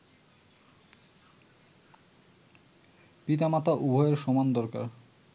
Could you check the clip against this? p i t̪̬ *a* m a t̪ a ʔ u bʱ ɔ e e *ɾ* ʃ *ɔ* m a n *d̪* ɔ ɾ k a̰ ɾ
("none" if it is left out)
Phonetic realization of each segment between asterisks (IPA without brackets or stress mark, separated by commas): a, ɾ, ɔ, d̪